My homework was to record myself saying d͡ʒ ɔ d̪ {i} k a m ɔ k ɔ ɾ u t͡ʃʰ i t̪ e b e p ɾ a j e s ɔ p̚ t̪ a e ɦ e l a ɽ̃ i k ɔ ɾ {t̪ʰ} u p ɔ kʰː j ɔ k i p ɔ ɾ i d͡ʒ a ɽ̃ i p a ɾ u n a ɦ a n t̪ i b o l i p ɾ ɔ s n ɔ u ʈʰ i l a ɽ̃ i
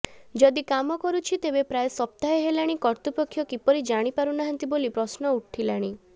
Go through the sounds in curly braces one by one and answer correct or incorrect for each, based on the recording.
correct, incorrect: t̪

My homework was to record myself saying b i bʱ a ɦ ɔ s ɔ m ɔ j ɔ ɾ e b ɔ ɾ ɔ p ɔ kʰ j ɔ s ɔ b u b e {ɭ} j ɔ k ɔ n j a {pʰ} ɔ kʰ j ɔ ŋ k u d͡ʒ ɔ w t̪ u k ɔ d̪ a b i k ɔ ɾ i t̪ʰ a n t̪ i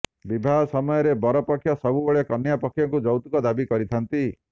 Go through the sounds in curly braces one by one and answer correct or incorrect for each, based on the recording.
correct, incorrect: p

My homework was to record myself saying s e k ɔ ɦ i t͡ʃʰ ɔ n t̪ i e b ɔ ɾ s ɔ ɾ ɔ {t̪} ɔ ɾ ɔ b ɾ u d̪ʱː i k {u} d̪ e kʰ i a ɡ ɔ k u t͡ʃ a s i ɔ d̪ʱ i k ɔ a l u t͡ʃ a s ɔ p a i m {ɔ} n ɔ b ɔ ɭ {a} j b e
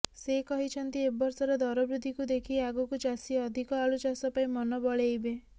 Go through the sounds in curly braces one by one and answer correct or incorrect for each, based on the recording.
incorrect: d̪, correct, correct, incorrect: e

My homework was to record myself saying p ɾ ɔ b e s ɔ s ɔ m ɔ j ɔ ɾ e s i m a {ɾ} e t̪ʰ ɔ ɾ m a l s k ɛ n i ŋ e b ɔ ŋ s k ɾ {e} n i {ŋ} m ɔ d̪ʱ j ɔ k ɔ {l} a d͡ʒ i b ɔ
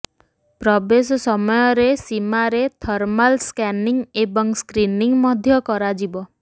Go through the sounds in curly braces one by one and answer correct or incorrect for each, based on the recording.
correct, incorrect: i, correct, incorrect: ɾ

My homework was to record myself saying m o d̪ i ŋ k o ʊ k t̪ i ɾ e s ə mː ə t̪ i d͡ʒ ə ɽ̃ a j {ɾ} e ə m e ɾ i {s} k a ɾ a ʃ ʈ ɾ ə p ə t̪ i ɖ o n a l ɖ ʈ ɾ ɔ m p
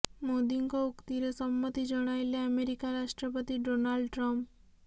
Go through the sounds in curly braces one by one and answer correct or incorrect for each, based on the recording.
incorrect: l, incorrect: none

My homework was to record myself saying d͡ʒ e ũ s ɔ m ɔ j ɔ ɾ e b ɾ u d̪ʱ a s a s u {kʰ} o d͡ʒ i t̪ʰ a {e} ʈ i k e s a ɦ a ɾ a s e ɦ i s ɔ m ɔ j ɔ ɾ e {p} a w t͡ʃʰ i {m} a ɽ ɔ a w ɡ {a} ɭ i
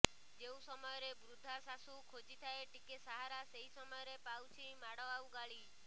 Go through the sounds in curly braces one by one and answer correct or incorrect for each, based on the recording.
correct, correct, correct, correct, correct

